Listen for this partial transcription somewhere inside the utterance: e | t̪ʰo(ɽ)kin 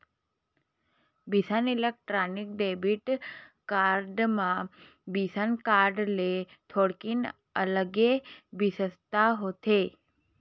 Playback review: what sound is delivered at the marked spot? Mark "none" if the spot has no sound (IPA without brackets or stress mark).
ɽ